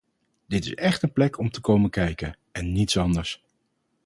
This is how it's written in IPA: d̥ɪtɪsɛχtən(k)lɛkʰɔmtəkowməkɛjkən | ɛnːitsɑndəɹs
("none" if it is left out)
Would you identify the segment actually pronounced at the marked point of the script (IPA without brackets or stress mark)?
p